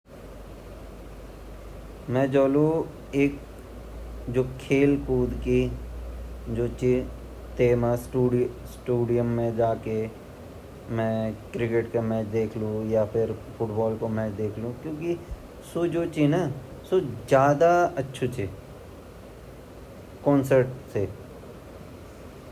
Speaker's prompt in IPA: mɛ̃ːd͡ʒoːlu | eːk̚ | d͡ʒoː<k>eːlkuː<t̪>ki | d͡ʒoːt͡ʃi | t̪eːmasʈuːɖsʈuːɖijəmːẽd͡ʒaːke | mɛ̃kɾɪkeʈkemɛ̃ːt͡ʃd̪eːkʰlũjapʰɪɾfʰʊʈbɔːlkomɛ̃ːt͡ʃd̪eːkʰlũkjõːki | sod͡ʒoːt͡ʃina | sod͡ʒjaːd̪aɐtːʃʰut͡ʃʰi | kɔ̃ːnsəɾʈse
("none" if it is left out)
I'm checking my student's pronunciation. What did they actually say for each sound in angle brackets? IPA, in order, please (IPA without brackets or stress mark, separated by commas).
kʰ, d̪